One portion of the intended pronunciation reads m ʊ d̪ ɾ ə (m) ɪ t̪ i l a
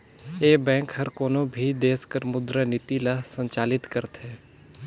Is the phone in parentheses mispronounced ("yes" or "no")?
yes